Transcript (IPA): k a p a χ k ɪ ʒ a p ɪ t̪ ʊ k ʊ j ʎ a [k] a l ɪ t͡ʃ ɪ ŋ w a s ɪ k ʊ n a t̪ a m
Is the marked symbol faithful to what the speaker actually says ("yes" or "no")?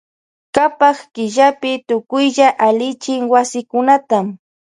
no